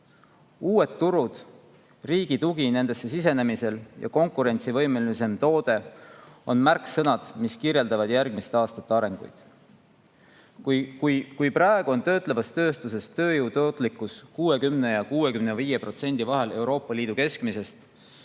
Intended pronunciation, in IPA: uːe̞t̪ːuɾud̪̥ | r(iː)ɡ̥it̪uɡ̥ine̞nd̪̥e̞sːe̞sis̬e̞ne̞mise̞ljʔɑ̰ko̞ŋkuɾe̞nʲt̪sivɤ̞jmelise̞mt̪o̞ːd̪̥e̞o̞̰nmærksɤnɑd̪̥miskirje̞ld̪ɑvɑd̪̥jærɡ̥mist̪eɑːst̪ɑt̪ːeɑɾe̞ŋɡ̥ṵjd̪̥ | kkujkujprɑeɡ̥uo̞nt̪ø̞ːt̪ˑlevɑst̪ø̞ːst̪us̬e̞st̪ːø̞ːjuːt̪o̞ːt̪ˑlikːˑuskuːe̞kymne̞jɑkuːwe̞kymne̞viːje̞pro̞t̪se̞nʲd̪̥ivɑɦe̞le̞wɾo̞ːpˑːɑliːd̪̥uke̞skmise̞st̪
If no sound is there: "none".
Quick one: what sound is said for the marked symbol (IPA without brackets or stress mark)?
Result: iː